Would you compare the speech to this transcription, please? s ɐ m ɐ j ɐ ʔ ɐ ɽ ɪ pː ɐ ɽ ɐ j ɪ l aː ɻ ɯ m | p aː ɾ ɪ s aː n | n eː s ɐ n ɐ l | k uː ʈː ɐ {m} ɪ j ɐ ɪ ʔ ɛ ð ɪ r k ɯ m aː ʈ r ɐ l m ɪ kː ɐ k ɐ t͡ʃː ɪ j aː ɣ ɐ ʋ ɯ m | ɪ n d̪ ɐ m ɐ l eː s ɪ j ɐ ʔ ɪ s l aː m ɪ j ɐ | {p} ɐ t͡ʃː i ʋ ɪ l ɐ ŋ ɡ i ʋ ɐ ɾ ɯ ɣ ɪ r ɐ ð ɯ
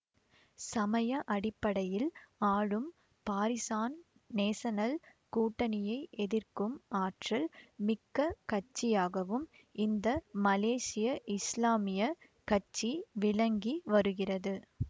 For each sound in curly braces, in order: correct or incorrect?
incorrect: n, incorrect: k

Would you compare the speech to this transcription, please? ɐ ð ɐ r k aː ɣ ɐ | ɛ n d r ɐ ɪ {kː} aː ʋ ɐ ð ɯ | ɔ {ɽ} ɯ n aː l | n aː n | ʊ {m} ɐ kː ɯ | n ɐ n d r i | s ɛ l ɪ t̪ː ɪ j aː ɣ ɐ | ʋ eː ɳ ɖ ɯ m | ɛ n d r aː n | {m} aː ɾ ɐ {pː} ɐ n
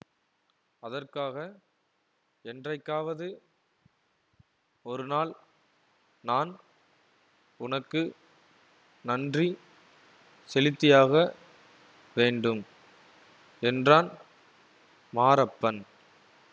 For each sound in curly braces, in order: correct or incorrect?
correct, incorrect: ɾ, incorrect: n, correct, correct

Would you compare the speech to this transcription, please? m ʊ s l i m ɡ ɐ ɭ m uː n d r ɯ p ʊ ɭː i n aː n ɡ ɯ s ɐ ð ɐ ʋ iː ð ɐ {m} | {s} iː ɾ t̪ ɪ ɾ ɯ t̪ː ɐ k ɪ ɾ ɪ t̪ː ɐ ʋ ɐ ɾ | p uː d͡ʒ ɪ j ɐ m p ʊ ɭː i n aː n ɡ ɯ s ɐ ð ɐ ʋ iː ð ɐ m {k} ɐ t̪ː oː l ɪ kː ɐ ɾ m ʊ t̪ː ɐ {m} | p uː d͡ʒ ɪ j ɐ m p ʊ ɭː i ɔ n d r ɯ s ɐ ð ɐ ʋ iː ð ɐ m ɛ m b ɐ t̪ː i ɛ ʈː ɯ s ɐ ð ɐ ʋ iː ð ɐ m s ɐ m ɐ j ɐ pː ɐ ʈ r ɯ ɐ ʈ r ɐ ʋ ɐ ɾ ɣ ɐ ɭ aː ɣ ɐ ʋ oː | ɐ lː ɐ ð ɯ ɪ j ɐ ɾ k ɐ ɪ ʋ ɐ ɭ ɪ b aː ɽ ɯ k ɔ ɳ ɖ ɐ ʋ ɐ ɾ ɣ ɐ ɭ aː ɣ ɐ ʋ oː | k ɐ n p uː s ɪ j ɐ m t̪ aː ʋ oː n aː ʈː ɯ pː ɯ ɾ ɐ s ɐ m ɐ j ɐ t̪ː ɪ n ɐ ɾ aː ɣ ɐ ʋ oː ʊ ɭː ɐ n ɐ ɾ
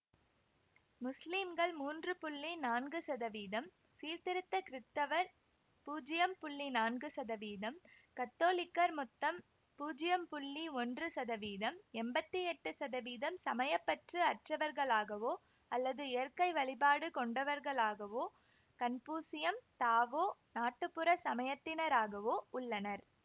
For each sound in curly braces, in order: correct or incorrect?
correct, correct, correct, correct

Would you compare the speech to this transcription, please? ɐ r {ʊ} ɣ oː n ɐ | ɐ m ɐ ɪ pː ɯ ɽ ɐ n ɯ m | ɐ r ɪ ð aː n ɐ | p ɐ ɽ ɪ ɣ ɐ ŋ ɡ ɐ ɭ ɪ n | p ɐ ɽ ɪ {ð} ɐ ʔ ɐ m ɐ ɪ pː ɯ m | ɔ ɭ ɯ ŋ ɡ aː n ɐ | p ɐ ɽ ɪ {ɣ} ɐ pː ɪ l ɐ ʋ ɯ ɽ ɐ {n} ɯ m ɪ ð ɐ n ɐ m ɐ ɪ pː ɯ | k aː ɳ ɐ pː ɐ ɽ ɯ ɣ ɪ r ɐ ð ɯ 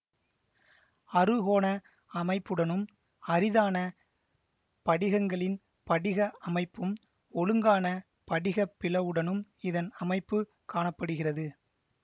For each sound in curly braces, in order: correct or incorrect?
incorrect: ɯ, incorrect: ɣ, correct, correct

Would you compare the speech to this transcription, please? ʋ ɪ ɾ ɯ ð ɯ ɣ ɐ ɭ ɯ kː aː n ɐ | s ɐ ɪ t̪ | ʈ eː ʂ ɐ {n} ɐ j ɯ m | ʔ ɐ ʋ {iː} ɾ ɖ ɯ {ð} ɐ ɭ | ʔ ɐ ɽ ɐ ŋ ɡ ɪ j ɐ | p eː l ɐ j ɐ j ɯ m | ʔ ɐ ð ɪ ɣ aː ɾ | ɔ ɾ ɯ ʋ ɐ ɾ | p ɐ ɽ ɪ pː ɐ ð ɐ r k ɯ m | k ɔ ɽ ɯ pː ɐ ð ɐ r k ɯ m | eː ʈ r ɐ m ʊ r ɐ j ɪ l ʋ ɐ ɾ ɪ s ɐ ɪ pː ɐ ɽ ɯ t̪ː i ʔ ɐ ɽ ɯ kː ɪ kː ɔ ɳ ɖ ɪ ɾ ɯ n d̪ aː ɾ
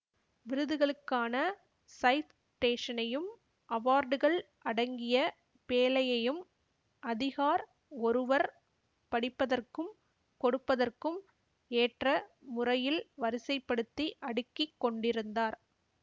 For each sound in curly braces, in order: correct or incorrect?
correct, incorrect: aː, incorrect: ɣ

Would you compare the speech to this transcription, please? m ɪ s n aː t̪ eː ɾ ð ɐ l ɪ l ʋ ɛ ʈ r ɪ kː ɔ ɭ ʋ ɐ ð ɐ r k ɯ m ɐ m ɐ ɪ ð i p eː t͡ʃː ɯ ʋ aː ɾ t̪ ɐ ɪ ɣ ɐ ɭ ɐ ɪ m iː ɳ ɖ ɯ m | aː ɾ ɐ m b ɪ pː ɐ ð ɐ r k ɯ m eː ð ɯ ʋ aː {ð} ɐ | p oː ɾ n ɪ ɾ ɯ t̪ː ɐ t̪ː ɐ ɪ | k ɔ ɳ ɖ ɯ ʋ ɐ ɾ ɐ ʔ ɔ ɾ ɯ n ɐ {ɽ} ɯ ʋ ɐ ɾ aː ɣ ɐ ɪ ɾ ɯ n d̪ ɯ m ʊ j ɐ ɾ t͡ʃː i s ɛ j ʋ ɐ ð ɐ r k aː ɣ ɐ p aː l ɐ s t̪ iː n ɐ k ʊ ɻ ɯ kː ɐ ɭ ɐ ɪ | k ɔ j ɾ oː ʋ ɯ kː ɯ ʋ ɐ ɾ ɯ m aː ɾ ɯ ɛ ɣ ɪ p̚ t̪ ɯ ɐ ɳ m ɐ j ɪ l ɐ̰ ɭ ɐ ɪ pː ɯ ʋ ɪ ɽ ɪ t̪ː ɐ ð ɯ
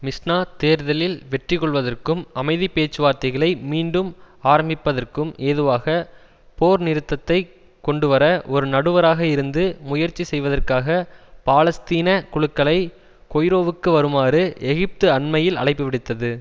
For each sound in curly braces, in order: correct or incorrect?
incorrect: ɣ, correct

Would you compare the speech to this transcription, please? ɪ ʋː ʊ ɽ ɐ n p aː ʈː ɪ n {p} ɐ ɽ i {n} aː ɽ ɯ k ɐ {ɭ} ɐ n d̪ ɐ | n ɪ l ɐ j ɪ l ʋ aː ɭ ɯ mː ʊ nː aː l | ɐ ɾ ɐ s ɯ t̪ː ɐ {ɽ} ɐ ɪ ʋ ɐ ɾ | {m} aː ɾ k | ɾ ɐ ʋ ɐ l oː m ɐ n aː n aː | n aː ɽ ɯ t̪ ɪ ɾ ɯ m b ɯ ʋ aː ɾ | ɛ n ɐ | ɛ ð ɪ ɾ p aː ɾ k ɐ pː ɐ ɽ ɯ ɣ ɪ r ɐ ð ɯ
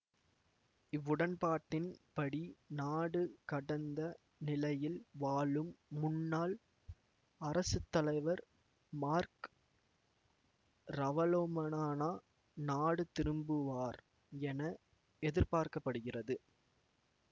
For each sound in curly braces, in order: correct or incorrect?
correct, correct, incorrect: ɽ, incorrect: l, correct

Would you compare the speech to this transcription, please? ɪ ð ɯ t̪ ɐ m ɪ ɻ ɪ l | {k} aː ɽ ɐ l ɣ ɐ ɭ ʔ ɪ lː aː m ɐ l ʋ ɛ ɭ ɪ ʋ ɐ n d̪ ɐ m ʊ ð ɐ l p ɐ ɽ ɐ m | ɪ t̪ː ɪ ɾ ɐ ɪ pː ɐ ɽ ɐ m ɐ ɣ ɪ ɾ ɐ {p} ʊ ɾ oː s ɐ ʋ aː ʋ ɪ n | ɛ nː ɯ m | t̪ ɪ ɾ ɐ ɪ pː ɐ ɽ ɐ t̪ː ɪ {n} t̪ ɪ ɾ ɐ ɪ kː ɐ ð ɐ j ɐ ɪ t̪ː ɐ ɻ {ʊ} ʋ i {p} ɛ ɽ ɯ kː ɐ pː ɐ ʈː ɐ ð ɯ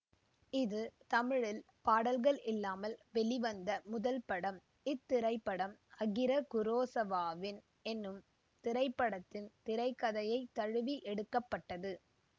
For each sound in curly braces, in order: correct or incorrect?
incorrect: p, incorrect: k, correct, incorrect: ɯ, incorrect: ʔ

